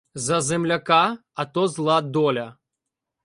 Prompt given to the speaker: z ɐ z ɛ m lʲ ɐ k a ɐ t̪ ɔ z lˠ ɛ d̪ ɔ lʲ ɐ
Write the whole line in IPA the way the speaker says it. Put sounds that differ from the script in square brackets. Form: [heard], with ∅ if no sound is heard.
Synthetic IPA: z ɐ z ɛ m lʲ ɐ k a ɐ t̪ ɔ z lˠ [a] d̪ ɔ lʲ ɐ